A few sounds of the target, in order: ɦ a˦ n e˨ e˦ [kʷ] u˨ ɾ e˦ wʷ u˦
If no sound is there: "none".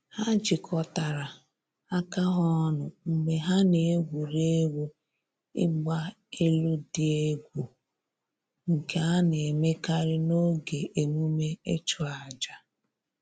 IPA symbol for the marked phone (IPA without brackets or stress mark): ɡʷ